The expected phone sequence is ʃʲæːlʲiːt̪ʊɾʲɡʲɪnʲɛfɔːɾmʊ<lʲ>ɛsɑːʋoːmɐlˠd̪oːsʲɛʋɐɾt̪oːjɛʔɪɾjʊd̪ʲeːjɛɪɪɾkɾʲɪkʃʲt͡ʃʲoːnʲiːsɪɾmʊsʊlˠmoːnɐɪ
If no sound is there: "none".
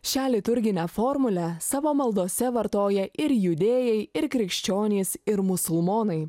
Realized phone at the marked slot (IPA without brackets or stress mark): lʲ